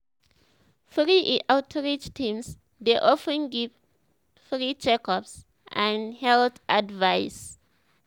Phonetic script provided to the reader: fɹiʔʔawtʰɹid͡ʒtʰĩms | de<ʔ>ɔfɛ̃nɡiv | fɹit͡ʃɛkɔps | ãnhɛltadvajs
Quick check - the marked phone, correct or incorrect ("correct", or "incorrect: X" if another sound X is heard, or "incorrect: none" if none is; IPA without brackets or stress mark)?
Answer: correct